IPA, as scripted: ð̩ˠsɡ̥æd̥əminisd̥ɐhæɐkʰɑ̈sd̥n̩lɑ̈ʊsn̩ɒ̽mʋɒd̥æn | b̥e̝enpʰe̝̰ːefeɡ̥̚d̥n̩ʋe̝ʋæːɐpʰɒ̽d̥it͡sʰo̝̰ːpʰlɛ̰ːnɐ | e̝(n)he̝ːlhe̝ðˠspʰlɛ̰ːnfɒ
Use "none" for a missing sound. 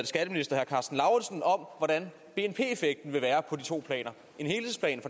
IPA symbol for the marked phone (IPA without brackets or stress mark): n